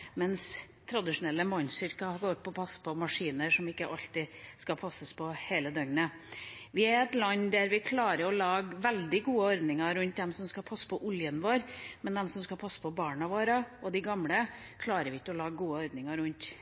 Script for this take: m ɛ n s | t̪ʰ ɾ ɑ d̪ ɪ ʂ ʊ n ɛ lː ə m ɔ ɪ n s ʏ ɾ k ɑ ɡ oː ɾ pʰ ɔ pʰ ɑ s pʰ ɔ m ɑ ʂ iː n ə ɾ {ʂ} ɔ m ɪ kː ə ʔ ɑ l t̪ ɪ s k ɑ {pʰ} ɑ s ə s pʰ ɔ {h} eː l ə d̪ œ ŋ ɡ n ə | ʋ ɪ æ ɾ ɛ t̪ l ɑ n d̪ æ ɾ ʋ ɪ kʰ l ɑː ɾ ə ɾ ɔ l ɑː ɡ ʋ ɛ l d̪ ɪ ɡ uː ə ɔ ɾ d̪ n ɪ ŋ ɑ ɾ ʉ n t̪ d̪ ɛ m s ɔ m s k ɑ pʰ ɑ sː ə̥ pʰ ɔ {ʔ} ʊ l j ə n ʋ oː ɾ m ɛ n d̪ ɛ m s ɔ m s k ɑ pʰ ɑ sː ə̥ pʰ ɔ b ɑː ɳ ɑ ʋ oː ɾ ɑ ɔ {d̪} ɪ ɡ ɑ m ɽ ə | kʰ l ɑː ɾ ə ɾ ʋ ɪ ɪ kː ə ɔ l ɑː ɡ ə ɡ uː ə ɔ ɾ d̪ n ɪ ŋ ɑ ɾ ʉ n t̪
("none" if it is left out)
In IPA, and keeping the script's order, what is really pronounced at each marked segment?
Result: ʂ, pʰ, h, ʔ, d̪

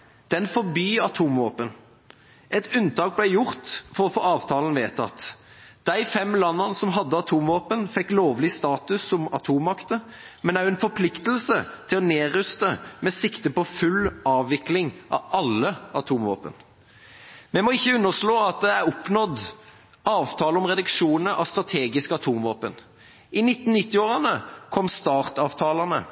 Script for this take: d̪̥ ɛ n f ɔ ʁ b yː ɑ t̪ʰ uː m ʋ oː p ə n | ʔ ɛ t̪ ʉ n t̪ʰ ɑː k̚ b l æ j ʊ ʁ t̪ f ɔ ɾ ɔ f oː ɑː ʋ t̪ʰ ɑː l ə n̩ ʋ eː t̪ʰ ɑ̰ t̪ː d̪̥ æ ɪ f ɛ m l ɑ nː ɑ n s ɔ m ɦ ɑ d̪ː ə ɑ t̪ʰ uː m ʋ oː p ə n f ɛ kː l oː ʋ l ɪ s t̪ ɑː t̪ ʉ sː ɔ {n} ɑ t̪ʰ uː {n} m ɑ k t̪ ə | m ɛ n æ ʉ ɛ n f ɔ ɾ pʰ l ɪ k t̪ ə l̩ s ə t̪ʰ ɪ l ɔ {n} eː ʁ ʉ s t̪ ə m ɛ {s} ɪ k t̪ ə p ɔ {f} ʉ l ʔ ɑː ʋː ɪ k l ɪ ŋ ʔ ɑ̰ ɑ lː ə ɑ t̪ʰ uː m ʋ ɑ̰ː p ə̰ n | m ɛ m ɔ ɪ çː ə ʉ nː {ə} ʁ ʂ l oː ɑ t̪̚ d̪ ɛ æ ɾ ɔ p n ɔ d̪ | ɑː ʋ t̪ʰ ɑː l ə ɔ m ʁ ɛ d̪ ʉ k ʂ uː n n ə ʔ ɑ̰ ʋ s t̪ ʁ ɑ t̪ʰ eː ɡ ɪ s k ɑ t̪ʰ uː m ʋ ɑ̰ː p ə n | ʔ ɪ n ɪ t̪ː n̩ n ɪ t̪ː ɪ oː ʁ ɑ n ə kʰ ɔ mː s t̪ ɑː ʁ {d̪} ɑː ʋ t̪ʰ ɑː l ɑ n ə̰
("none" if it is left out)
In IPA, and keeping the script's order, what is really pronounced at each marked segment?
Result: m, m, n, s, f, ə, t̪

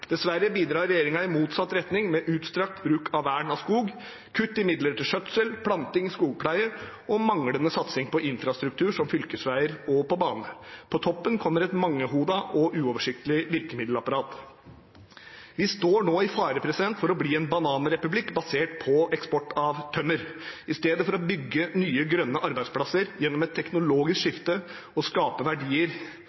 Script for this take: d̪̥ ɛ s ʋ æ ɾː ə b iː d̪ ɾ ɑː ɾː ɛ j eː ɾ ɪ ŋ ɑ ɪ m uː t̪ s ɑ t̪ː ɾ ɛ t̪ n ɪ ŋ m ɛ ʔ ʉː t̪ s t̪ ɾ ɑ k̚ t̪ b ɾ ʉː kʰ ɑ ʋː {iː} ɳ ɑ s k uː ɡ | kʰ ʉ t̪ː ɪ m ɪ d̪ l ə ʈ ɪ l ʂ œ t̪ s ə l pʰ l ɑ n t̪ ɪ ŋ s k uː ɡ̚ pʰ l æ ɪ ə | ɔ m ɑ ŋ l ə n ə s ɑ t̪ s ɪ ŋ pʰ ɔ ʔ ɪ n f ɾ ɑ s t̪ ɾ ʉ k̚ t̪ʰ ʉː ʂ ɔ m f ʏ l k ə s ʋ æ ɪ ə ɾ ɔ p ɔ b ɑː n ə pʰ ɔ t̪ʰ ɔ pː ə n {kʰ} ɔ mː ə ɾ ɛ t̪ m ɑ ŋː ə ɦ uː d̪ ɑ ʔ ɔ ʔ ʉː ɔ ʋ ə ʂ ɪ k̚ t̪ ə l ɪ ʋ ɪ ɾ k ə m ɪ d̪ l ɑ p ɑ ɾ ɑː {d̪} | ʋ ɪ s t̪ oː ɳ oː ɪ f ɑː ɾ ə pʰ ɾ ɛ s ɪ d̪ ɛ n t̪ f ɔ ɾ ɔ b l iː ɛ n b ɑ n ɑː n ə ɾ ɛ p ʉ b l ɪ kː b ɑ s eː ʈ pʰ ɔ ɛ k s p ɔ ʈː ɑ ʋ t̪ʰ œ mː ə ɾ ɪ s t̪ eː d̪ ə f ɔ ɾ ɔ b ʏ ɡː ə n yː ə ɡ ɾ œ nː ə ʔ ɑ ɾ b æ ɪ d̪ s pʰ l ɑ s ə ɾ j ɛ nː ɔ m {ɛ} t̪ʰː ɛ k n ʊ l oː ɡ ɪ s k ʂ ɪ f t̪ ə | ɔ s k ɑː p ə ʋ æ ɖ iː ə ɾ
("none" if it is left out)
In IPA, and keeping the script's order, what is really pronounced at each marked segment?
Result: æː, kʰ, t̪, ɛ

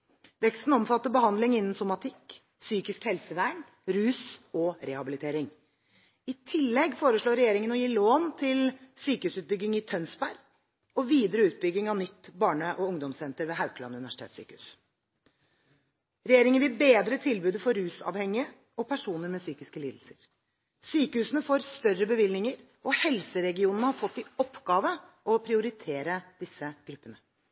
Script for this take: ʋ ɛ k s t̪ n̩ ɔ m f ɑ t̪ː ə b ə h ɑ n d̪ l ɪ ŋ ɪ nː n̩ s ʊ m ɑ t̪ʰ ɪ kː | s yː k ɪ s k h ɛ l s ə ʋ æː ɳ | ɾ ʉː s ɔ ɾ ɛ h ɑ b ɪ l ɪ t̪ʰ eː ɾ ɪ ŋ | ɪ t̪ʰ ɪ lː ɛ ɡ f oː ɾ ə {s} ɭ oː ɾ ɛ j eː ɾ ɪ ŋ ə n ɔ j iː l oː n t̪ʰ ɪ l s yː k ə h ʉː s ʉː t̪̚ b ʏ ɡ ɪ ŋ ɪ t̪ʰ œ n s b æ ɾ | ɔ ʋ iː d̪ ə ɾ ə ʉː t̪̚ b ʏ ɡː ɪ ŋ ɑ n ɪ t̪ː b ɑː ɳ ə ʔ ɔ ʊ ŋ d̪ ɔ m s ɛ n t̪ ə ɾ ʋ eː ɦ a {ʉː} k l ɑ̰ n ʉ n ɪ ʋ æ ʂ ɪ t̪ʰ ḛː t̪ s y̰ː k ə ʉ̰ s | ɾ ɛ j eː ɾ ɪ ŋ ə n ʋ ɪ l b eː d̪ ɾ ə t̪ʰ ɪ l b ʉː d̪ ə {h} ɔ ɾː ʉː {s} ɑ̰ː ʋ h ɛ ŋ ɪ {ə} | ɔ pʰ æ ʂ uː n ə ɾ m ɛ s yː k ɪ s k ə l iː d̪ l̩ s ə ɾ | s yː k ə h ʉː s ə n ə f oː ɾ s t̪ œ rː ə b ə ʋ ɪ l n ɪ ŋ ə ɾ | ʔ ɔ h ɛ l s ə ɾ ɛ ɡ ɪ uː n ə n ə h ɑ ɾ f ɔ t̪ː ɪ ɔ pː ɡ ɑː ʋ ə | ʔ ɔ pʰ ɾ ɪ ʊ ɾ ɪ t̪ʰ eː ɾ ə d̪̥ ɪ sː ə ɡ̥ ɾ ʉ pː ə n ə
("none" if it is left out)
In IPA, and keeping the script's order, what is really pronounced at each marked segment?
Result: ʂ, ʉ, f, s, ə

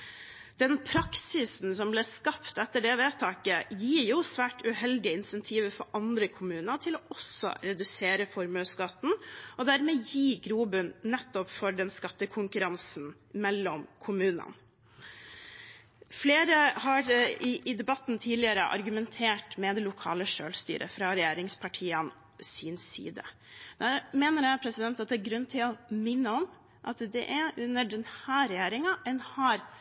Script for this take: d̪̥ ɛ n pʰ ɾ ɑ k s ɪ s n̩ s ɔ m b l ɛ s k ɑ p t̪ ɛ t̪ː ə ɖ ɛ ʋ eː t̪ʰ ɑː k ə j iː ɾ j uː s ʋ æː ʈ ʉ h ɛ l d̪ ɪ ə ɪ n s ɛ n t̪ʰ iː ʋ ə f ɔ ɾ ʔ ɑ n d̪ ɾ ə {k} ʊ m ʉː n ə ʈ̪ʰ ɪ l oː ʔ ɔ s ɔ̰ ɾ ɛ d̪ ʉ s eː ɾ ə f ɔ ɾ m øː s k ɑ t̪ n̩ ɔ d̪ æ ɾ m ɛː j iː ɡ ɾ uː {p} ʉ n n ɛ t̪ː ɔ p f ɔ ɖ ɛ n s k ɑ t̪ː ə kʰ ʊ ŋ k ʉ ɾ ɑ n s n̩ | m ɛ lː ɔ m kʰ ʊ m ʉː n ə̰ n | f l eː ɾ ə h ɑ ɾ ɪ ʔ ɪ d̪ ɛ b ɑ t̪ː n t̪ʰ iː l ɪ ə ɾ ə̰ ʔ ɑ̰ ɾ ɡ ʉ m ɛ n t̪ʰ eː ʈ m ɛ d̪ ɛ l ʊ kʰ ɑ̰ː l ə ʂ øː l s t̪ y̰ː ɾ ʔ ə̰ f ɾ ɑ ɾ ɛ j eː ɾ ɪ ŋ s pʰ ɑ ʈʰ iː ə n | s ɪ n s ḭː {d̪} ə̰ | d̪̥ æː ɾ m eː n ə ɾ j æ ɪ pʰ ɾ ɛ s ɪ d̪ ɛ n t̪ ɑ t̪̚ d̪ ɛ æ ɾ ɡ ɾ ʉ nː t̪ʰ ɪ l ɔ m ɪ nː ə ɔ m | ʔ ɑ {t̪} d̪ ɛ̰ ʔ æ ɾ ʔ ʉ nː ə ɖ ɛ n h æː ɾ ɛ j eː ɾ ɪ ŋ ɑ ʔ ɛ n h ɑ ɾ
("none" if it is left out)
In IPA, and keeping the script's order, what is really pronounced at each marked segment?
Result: kʰ, b, d̪, t̪

